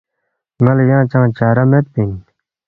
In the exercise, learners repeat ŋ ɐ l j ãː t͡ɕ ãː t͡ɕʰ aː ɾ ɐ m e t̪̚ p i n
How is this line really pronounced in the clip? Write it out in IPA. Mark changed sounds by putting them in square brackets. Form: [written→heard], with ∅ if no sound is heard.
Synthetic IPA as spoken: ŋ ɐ l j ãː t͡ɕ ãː [t͡ɕʰ→t͡ɕ] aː ɾ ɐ m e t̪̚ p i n